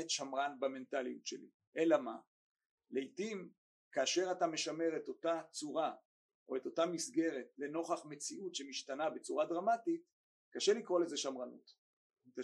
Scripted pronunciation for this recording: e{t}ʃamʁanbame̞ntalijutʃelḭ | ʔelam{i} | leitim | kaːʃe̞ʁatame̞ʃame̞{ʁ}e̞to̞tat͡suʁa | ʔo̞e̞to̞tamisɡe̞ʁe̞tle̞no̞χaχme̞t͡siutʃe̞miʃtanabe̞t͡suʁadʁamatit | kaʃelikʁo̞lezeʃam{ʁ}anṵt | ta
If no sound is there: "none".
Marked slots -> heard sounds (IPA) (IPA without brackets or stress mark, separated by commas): t, a, ʁ, ʁ